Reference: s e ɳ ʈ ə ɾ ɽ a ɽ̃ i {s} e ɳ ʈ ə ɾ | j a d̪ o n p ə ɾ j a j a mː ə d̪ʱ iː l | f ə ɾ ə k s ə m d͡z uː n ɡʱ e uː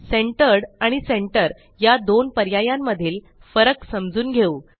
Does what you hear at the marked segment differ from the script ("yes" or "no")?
no